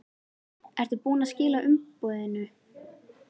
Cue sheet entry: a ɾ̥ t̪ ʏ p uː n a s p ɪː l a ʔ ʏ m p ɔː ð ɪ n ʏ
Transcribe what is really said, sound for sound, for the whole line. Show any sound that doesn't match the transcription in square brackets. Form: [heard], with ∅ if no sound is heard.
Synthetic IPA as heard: [ɛ] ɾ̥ t̪ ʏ p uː n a s [c] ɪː l a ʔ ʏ m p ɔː ð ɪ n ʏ